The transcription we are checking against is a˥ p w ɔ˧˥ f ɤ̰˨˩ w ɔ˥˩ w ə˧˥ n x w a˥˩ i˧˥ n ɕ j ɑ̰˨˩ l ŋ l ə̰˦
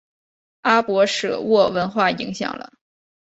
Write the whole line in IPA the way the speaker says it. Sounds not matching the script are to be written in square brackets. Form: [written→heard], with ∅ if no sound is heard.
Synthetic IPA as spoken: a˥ p w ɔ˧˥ [f→ʂ] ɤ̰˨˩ w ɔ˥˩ w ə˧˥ n x w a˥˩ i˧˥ [n→ŋ] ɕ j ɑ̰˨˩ [l→∅] ŋ l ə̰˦